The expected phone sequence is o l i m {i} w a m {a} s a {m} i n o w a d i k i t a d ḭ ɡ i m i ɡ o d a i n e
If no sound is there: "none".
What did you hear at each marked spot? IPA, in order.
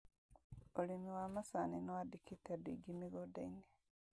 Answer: i, a, n

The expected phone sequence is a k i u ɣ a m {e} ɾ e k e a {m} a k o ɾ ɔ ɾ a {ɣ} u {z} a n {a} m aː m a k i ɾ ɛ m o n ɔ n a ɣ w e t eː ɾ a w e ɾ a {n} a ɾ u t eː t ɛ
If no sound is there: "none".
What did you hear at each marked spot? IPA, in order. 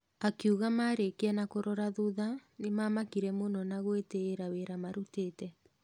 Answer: a, n, ð, ð, e, m

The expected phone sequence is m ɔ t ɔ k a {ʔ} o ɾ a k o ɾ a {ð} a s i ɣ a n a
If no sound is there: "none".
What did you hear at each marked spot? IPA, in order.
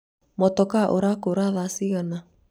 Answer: ʔ, ð

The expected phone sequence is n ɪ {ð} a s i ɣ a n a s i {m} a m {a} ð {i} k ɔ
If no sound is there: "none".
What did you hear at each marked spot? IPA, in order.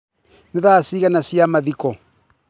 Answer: ð, none, a, i

